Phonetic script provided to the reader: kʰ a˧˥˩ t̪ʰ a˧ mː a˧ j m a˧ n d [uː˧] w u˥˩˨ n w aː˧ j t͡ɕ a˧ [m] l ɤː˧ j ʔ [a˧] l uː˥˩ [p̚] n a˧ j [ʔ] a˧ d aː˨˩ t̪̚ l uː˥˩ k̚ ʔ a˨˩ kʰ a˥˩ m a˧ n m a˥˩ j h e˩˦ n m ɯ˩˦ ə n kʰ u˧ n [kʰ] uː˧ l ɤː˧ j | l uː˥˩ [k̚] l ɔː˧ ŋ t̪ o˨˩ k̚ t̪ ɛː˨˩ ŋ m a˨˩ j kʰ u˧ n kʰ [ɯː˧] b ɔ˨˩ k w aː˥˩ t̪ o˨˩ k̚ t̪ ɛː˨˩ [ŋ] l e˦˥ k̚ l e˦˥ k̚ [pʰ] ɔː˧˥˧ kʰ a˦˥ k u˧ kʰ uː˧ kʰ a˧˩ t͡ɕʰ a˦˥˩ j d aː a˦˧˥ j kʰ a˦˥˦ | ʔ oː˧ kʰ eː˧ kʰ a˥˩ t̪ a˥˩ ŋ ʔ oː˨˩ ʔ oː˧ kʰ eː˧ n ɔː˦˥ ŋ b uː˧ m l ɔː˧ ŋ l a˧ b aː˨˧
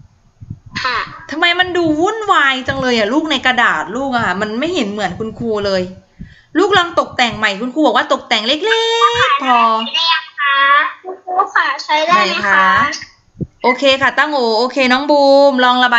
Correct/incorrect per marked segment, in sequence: correct, incorrect: ŋ, incorrect: a˨˩, incorrect: k̚, incorrect: k, correct, correct, incorrect: uː˧, correct, correct

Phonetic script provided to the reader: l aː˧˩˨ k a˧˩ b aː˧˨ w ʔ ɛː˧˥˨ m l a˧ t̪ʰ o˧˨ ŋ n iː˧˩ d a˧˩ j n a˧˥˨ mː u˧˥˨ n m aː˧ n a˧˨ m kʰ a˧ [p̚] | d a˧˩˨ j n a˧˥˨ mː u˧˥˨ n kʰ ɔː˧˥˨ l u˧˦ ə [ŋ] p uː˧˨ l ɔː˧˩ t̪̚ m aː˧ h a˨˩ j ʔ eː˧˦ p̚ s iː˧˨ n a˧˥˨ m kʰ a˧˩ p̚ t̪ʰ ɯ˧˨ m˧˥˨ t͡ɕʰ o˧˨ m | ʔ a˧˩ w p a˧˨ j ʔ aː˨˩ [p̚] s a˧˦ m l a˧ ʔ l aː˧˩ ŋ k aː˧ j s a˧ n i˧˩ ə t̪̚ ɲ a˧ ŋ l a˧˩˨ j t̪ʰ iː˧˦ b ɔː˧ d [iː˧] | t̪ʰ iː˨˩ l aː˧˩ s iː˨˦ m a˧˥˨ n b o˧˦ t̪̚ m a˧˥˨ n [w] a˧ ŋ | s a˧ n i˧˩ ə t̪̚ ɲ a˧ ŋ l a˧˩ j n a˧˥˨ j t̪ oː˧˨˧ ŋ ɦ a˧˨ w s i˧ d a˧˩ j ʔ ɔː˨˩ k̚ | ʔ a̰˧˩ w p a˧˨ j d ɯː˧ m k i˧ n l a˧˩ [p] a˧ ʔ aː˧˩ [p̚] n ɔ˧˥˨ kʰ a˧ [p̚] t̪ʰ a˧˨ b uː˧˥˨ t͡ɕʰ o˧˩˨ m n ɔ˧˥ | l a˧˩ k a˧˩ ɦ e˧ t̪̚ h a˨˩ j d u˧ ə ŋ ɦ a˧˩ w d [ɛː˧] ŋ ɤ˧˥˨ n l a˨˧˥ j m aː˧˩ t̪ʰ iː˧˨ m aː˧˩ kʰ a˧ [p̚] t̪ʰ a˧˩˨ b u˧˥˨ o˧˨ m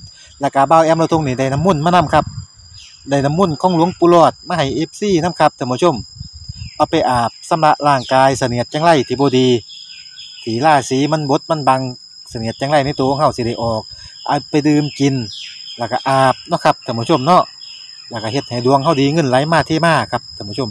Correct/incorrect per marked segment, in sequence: correct, correct, correct, correct, incorrect: b, incorrect: k, correct, correct, incorrect: iː˧, correct

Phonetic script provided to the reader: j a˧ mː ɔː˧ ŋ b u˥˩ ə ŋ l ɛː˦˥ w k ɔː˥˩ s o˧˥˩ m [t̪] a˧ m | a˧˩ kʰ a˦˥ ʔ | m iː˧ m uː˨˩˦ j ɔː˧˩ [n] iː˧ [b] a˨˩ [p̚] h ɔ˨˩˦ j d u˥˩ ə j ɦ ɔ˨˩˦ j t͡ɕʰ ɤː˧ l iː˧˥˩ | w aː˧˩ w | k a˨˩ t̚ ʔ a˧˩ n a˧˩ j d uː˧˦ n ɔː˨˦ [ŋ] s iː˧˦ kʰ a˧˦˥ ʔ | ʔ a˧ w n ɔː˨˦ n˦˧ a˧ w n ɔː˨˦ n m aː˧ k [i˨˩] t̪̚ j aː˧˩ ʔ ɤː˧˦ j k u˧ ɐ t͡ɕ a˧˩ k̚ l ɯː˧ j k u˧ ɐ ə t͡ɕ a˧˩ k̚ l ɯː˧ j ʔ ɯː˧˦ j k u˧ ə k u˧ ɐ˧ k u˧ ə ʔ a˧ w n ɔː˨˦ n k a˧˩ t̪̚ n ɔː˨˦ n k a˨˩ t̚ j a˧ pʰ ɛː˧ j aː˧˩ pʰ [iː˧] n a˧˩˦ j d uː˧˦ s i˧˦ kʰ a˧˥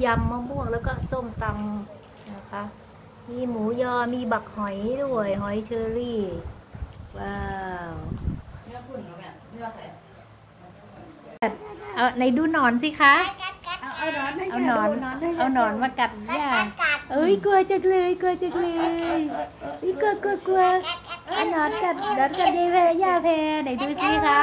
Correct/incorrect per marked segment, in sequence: correct, incorrect: m, correct, incorrect: k̚, incorrect: n, incorrect: a˨˩, incorrect: ɛː˧

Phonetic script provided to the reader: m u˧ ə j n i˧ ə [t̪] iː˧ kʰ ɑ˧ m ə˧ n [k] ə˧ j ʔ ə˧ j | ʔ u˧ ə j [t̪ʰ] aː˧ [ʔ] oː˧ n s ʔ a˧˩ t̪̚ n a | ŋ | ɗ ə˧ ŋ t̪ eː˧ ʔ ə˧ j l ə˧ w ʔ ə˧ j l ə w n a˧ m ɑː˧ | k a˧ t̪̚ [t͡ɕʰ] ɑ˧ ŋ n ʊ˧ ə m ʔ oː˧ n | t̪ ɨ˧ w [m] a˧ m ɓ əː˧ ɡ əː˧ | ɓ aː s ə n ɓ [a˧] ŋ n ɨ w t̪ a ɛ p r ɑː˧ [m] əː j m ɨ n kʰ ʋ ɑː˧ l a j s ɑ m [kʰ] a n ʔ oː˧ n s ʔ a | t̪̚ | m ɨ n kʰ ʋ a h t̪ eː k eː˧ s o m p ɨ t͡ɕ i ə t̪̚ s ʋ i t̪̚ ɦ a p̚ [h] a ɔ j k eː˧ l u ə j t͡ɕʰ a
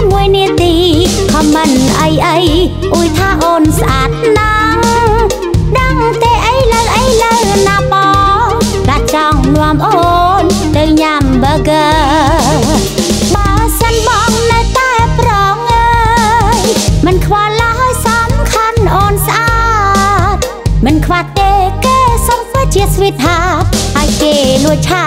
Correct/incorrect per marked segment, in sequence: correct, incorrect: ʔ, correct, correct, incorrect: t͡ɕ, incorrect: ɲ, incorrect: ɑ˧, incorrect: ŋ, correct, correct

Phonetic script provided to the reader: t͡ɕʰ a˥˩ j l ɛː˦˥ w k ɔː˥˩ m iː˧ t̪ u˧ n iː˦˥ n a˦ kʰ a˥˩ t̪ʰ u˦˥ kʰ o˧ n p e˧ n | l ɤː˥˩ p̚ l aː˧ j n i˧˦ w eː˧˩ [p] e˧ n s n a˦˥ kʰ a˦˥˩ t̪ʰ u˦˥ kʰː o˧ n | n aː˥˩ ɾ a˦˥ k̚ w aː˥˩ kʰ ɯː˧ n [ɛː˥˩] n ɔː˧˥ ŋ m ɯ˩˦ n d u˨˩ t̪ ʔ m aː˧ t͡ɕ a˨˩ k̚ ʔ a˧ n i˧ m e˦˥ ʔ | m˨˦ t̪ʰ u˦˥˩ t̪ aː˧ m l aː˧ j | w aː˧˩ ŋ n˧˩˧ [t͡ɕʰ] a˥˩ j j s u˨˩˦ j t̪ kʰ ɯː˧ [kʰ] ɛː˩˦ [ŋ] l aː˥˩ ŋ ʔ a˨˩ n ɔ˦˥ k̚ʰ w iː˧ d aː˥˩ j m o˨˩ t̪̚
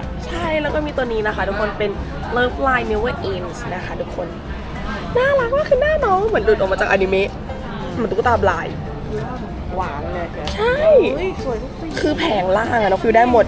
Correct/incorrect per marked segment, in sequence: incorrect: ʔ, incorrect: aː˥˩, correct, incorrect: pʰ, correct

